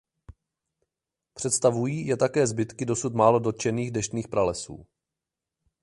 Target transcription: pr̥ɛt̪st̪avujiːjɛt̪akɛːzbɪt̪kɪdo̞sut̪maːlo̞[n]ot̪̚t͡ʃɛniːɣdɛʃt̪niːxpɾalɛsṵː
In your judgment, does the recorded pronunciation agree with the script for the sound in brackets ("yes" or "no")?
no